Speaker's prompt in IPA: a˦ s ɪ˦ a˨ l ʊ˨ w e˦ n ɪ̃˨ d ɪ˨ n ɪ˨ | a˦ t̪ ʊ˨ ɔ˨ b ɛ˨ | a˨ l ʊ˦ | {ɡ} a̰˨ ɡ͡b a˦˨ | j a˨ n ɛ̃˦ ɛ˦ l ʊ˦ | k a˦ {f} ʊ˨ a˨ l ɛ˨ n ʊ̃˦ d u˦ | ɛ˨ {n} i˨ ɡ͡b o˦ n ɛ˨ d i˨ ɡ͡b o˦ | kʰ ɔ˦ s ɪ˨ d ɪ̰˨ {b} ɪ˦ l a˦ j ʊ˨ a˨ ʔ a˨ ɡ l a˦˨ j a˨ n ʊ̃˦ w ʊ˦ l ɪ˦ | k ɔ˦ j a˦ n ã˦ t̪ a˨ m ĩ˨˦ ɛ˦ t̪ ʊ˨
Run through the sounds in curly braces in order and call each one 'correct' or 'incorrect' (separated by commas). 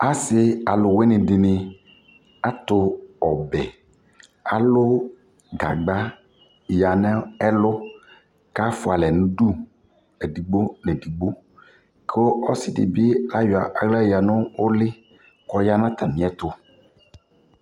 correct, correct, incorrect, correct